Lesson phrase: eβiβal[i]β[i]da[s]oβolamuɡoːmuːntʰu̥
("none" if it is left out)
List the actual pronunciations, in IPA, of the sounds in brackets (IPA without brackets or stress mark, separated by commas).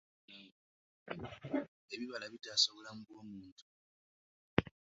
a, i, s